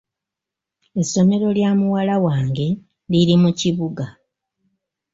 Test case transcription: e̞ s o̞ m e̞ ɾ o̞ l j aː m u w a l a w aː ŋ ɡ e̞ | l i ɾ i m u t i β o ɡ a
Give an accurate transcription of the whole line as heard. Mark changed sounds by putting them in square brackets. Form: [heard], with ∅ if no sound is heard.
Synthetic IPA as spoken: e̞ s o̞ m e̞ ɾ o̞ l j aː m u w a l a w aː ŋ ɡ e̞ | l i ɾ i m u [c] i β [u] ɡ a